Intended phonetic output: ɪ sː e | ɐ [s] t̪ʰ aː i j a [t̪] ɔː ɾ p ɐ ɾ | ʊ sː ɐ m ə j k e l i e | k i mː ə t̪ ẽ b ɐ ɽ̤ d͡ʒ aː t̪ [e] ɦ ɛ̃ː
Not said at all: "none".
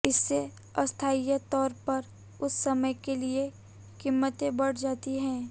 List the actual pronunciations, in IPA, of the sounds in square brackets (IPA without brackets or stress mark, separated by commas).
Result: s, t̪, i